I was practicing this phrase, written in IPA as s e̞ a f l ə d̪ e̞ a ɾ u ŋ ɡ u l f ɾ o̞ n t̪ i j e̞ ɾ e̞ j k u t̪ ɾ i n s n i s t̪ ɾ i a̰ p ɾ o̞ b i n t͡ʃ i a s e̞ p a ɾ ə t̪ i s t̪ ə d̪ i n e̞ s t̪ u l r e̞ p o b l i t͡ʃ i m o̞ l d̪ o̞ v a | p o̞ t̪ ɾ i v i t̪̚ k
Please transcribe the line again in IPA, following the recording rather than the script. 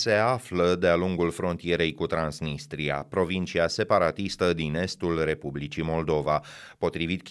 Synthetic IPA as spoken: s e̞ a f l ə d̪ e̞ a l u ŋ ɡ u l f ɾ o̞ n t̪ i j e̞ ɾ e̞ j k u t̪ ɾ a n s n i s t̪ ɾ i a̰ p ɾ o̞ v i n t͡ʃ i a s e̞ p a ɾ a t̪ i s t̪ ə d̪ i n e̞ s t̪ u l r e̞ p u b l i t͡ʃ i m o̞ l d̪ o̞ v a | p o̞ t̪ ɾ i v i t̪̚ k